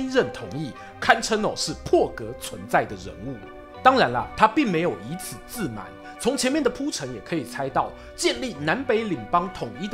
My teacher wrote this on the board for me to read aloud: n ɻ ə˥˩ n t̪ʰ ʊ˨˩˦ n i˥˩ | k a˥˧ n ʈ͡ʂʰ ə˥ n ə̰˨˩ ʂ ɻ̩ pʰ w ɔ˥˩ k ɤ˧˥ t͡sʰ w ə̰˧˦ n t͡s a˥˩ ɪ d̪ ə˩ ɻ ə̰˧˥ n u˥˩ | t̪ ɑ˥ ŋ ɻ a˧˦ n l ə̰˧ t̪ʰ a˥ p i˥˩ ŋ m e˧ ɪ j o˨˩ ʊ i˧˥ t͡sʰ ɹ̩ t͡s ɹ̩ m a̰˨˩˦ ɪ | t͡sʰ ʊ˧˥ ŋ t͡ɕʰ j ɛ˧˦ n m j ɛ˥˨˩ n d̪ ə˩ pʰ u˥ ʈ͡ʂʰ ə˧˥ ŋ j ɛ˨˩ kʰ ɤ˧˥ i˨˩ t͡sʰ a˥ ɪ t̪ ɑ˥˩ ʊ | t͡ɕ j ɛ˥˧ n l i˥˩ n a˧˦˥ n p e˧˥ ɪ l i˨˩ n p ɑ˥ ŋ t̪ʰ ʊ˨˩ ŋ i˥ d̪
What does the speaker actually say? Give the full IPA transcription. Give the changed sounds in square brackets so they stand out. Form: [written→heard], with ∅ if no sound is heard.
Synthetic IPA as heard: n ɻ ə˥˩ n t̪ʰ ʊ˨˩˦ [n→ŋ] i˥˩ | [k→kʰ] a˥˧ n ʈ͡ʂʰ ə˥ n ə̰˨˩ ʂ ɻ̩ pʰ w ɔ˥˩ k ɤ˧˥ t͡sʰ w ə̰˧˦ n t͡s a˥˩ ɪ d̪ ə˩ ɻ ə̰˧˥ n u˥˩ | t̪ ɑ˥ ŋ ɻ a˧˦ n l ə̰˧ t̪ʰ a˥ p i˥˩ ŋ m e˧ ɪ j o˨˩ ʊ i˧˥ t͡sʰ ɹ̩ t͡s ɹ̩ m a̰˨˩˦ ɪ | t͡sʰ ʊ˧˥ ŋ t͡ɕʰ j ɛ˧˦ n m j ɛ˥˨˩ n d̪ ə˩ pʰ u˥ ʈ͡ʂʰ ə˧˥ ŋ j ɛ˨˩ kʰ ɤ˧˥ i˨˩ t͡sʰ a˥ ɪ t̪ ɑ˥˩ ʊ | t͡ɕ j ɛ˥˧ n l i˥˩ n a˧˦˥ n p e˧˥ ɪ l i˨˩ [n→ŋ] p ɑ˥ ŋ t̪ʰ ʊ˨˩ ŋ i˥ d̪